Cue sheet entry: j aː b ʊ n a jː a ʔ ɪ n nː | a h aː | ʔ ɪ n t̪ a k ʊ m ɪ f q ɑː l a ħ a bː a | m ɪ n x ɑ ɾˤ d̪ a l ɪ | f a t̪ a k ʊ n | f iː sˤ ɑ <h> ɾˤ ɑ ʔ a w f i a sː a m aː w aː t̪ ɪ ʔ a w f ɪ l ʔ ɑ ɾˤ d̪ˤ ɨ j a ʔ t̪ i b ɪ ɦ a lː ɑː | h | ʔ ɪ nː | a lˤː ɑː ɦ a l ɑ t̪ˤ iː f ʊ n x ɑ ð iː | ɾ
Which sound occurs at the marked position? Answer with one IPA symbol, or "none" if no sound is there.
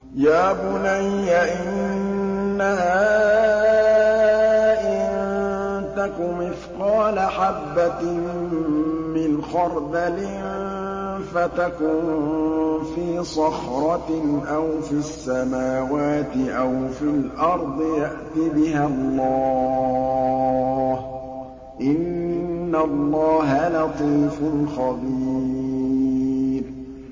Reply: x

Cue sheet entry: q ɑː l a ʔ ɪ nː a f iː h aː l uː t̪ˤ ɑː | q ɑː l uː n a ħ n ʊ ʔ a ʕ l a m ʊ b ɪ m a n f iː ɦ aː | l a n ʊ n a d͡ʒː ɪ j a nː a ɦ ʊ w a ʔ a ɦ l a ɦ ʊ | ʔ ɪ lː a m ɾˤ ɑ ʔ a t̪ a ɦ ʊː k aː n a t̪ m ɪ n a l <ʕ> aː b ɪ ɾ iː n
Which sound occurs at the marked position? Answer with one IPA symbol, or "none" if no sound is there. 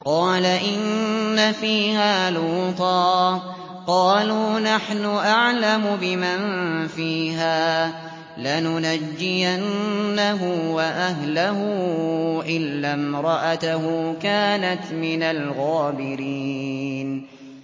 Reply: ɣ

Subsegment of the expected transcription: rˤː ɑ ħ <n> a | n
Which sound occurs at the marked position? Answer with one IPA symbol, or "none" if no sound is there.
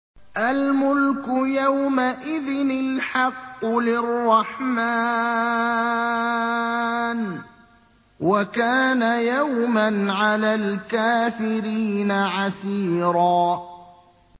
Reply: m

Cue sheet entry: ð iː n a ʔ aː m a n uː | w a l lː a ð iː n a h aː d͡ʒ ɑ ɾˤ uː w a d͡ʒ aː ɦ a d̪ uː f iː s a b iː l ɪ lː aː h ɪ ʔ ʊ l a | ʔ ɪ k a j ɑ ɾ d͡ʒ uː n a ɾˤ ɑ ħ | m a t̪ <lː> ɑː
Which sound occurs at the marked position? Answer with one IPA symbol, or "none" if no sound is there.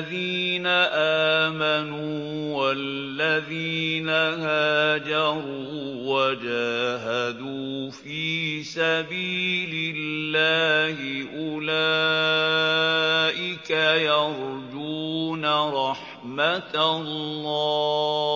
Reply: lː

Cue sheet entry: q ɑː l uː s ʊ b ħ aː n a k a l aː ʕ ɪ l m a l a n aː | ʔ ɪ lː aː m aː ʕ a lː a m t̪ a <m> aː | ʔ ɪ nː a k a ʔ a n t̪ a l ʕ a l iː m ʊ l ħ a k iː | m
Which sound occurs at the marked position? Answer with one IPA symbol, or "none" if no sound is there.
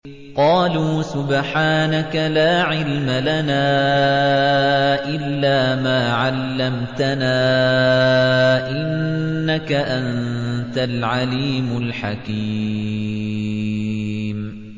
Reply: n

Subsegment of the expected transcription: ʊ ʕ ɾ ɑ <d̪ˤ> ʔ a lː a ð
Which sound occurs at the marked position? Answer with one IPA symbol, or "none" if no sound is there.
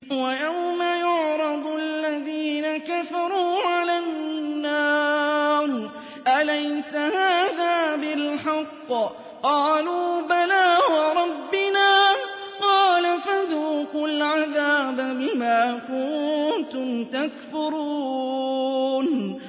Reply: d̪ˤ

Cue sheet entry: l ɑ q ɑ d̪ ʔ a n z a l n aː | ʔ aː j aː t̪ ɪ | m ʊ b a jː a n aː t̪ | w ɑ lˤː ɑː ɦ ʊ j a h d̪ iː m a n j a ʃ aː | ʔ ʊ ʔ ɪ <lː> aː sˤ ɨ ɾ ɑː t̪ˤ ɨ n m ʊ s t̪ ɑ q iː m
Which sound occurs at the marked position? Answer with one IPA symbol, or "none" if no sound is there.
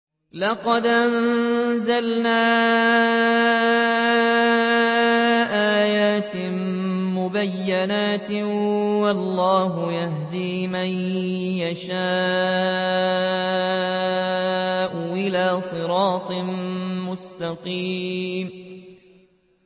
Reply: l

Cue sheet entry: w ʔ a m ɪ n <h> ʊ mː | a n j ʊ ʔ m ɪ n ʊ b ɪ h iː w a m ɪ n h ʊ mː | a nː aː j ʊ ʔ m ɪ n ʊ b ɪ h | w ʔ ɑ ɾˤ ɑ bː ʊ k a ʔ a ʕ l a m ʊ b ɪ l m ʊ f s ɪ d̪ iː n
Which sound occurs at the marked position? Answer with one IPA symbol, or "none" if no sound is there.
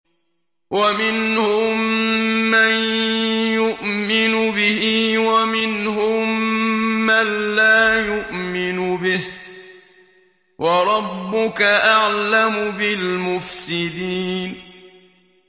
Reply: h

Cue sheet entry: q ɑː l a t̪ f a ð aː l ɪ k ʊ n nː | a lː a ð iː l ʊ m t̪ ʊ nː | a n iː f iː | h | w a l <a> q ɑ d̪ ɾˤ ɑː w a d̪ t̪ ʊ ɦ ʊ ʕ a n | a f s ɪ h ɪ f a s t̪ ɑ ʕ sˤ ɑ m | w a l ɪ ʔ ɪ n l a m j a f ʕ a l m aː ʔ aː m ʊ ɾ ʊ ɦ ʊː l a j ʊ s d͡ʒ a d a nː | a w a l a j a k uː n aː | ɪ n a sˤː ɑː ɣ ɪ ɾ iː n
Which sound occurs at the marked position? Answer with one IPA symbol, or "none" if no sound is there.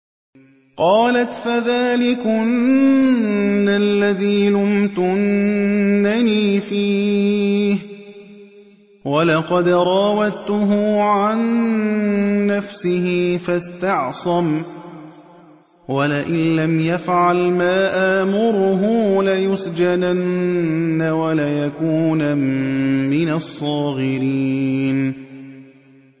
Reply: ɑ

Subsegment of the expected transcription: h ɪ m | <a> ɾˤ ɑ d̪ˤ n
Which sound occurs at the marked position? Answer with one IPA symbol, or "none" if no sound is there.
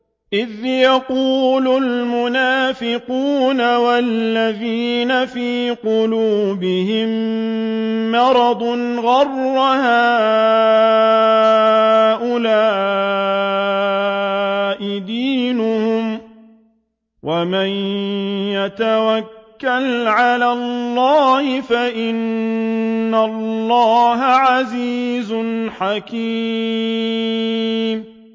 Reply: ɑ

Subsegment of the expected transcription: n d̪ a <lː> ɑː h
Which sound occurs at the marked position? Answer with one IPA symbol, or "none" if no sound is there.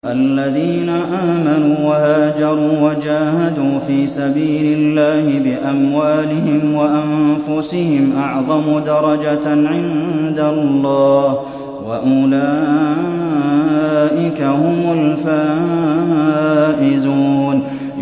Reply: lː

